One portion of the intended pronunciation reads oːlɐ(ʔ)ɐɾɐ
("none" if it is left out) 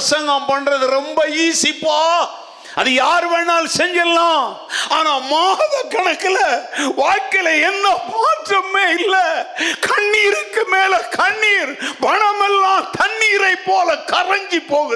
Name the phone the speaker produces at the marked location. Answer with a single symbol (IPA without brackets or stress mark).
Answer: k